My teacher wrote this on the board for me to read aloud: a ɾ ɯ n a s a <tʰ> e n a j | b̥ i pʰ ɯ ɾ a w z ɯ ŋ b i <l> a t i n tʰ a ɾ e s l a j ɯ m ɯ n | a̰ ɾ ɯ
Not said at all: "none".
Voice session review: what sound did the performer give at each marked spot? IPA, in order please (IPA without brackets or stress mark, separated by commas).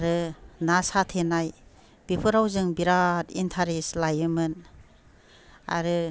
tʰ, ɾ